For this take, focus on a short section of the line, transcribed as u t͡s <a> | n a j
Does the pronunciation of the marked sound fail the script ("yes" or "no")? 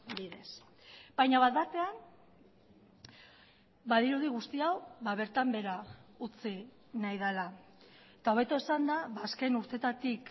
yes